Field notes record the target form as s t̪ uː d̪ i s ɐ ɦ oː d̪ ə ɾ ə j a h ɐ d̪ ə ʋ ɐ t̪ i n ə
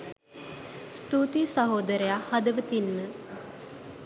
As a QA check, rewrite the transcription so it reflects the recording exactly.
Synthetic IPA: s t̪ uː t̪ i s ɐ ɦ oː d̪ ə ɾ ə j a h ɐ d̪ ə ʋ ə t̪ i nː ə